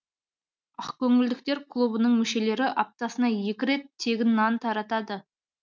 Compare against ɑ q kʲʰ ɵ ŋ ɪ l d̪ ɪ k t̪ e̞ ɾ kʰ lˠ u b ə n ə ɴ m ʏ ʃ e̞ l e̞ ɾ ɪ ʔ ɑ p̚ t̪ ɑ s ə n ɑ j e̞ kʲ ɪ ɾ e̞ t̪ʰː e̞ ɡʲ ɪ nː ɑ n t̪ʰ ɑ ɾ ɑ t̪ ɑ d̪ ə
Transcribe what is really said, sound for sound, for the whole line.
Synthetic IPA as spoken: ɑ q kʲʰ ɵ ŋ ɪ l d̪ ɪ k t̪ e̞ ɾ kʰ lˠ u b ə n ə ɴ m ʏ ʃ e̞ l e̞ ɾ ɪ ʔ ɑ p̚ t̪ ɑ s ə n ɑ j e̞ kʲ ɪ ɾ e̞ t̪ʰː e̞ ɡʲ ɪ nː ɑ n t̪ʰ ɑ ɾ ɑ t̪ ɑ d̪ ə